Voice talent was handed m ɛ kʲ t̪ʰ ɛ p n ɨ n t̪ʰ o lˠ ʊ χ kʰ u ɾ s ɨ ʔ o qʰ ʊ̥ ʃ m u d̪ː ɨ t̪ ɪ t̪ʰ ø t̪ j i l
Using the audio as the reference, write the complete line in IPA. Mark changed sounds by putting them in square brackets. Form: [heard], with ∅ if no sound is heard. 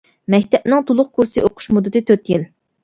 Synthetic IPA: m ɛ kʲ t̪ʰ ɛ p n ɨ [ŋ] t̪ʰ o lˠ ʊ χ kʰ u ɾ s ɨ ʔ o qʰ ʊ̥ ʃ m u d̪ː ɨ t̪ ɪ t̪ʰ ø t̪ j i l